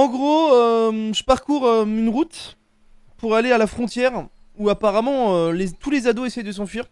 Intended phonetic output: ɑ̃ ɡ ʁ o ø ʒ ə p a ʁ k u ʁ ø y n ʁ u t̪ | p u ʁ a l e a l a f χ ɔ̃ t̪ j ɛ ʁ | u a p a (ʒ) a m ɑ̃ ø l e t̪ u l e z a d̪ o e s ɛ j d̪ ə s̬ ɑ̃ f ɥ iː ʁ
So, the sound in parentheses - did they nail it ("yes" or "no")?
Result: no